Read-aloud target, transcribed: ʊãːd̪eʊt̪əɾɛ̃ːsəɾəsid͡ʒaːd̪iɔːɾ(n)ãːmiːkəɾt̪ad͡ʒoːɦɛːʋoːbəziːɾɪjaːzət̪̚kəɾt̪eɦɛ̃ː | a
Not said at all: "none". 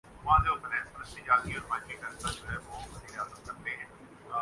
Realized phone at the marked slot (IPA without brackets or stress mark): m